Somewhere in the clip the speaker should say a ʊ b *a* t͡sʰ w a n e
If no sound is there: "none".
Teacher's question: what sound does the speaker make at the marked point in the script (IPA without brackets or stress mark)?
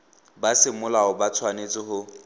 a